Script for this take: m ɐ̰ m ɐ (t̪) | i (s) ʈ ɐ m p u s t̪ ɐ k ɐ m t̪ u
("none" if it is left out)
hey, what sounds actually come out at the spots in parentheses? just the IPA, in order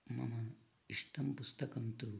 none, ʂ

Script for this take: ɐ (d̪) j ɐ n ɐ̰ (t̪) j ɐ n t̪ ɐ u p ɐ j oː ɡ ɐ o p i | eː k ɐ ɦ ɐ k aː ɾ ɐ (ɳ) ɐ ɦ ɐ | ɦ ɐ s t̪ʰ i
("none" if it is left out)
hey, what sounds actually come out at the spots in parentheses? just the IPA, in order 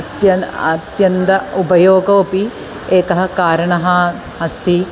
t̪, t̪, ɳ

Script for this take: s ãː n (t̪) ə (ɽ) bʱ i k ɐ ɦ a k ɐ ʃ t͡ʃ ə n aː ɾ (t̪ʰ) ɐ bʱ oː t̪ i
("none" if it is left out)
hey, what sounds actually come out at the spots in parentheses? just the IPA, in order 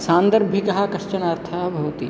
d̪, ɾ, t̪ʰ

